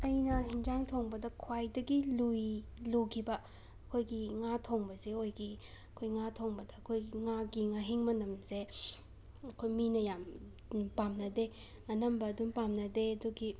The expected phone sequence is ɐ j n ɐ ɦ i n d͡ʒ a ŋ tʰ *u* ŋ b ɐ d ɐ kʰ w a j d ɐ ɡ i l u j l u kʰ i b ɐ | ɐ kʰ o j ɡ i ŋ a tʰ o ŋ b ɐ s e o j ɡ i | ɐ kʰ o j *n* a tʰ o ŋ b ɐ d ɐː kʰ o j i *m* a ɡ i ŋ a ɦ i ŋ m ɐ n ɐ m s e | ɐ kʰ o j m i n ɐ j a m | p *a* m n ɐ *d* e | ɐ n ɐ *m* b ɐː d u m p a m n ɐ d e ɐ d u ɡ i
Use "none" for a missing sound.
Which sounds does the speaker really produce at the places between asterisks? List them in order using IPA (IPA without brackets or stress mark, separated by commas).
o, ŋ, ŋ, a, d, m